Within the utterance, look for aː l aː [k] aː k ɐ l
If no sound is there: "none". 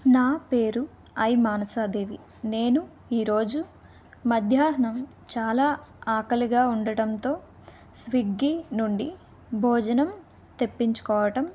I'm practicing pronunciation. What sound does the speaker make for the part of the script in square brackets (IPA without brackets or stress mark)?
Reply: none